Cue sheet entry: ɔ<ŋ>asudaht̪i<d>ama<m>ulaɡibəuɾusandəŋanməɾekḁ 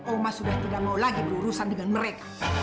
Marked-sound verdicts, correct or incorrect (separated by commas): incorrect, correct, incorrect